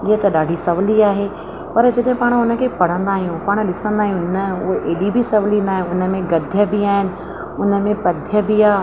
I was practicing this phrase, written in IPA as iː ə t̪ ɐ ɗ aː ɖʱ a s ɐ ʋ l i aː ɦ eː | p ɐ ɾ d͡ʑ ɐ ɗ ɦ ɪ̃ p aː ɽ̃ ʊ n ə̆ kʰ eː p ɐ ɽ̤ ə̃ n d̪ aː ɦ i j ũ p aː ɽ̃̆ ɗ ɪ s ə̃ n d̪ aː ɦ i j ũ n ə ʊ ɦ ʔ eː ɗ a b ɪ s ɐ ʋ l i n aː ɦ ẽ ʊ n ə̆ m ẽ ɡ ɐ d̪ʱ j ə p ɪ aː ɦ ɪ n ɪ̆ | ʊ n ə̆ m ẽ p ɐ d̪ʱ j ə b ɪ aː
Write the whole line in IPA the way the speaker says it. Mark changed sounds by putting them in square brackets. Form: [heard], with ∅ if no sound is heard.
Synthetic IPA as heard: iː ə t̪ ɐ ɗ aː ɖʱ [i] s ɐ ʋ l i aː ɦ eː | p ɐ ɾ d͡ʑ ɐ ɗ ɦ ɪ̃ p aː ɽ̃ ʊ n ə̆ kʰ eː p ɐ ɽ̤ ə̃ n d̪ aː ɦ i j ũ p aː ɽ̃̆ ɗ ɪ s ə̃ n d̪ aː ɦ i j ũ n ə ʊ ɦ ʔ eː ɗ [i] b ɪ s ɐ ʋ l i n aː ɦ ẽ ʊ n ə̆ m ẽ ɡ ɐ d̪ʱ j ə [b] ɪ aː ɦ ɪ n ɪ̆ | ʊ n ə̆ m ẽ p ɐ d̪ʱ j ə b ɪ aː